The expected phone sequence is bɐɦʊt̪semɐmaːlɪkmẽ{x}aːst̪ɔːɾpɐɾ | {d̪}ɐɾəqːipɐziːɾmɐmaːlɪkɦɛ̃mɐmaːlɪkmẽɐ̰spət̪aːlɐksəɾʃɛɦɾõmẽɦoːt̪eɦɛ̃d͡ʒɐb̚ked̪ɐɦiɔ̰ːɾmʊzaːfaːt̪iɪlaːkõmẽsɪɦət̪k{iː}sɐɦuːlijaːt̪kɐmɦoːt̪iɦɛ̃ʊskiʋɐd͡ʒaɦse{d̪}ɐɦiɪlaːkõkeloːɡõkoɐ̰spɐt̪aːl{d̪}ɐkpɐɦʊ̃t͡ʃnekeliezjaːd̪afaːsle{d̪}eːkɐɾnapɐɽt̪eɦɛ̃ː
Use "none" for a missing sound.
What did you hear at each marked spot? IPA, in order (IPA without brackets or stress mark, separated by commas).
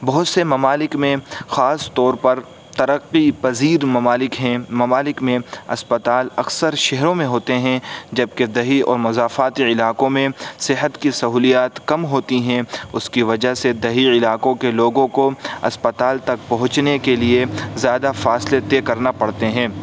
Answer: x, t̪, i, d̪, t̪, t̪